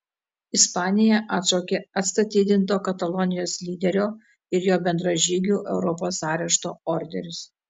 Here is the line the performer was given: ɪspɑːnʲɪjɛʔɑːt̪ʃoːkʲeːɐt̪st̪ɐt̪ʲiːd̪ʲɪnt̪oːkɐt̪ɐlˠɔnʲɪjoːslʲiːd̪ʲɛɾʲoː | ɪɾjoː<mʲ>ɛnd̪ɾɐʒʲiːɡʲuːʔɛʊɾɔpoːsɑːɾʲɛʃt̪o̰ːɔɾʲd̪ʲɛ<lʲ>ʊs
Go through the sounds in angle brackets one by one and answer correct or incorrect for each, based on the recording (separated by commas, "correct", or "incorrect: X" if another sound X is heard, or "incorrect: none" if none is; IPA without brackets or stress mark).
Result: incorrect: bʲ, incorrect: ɾʲ